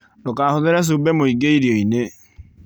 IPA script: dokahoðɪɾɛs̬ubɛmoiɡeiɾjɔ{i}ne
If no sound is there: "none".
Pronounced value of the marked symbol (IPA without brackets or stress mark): i